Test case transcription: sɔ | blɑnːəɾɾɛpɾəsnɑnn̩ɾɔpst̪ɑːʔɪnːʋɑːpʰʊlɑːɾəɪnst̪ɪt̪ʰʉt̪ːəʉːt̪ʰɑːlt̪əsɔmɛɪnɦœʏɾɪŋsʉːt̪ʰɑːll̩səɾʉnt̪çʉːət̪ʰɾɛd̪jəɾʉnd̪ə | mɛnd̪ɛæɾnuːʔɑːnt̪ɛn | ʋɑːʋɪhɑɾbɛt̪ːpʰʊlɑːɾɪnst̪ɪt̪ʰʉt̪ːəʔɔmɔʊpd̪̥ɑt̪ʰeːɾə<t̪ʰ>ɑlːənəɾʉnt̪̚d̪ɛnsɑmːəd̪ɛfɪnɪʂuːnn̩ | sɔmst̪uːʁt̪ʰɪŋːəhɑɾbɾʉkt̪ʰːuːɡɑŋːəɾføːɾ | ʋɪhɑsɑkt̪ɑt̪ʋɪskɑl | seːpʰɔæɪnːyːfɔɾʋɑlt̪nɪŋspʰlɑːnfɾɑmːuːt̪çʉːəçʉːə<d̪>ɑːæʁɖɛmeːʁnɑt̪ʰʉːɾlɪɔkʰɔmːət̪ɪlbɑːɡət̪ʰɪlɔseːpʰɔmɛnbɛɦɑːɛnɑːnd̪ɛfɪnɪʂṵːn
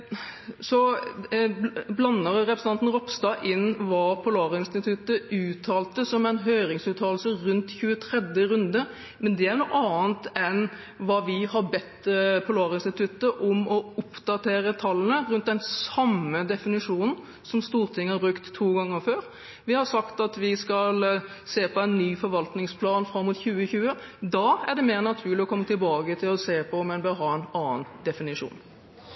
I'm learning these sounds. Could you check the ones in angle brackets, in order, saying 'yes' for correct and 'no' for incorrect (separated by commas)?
yes, yes